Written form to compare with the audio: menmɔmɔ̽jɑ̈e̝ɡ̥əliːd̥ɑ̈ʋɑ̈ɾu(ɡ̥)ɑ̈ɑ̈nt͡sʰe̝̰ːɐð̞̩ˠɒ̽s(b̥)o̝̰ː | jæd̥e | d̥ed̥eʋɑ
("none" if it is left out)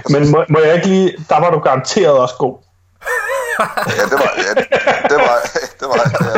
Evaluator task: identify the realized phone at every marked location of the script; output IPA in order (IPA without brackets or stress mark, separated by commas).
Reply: ɡ̥, ɡ̥